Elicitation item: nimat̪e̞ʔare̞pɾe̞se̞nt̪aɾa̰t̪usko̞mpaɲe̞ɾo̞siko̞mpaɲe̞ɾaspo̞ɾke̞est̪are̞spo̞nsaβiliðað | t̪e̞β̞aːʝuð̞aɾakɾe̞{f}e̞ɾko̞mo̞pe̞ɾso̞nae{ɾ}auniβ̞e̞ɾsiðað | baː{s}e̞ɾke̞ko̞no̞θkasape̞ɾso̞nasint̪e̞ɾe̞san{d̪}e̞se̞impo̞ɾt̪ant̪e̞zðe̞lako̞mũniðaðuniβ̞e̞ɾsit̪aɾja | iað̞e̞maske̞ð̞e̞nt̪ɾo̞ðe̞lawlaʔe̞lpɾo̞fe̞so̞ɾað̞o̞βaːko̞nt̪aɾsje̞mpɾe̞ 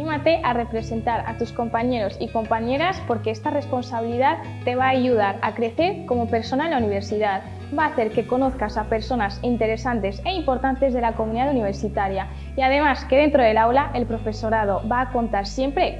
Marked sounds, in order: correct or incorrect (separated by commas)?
incorrect, incorrect, incorrect, incorrect